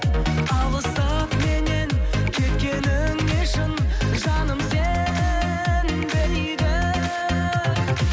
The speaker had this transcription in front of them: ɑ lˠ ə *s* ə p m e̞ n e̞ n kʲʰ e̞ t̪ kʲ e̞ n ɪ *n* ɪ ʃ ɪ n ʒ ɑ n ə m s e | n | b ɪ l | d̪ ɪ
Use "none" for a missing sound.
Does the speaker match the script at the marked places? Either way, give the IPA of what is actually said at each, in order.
s, ŋ

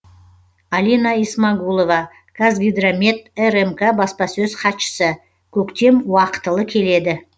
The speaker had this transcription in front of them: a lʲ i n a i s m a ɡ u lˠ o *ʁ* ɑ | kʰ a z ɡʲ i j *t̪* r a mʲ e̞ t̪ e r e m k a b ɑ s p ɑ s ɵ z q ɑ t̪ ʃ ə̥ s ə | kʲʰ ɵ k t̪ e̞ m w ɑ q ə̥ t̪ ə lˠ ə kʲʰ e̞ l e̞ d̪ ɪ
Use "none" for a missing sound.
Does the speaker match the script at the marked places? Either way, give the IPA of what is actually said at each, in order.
v, d̪

